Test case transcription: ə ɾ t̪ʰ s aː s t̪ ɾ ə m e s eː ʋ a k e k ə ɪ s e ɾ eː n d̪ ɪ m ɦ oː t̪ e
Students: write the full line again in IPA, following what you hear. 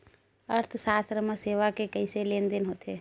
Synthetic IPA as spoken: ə ɾ t̪ʰ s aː s t̪ ɾ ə m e s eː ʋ a k e k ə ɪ s e l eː n d̪ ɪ n ɦ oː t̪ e